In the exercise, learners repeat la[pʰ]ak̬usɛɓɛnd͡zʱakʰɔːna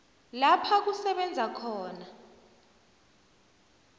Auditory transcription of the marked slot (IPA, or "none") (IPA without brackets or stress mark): pʰ